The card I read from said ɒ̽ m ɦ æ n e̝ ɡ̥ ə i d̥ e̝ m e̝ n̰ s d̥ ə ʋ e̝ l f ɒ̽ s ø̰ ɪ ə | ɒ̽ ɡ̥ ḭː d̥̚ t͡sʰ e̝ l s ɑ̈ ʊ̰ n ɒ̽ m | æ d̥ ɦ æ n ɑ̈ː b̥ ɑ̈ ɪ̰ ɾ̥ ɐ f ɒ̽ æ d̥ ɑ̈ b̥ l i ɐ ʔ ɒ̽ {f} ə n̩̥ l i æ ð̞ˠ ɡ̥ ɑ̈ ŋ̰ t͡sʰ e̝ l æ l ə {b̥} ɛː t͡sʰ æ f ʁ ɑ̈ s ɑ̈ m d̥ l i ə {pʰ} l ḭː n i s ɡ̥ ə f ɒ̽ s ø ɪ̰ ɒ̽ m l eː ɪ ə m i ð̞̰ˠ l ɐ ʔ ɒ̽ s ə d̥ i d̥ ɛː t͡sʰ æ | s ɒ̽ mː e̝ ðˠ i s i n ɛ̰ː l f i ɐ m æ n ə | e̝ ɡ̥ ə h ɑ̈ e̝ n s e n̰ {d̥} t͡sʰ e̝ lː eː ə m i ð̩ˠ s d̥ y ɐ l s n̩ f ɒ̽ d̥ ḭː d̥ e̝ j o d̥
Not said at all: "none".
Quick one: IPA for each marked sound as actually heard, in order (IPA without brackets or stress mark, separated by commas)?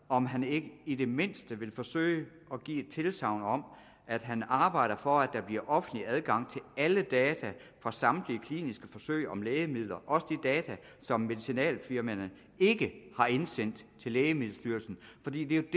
f, d̥, kʰ, d̥